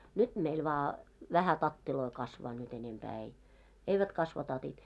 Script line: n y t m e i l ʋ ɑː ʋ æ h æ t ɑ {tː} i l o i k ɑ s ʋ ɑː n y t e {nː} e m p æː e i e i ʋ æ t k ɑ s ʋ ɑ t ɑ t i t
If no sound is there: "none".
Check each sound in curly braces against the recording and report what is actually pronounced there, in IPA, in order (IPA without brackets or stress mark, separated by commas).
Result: tː, n